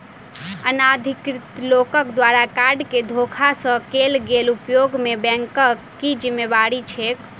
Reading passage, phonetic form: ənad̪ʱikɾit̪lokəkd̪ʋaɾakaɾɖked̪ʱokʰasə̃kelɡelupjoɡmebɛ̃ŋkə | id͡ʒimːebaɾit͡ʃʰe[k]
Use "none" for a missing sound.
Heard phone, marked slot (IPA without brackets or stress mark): k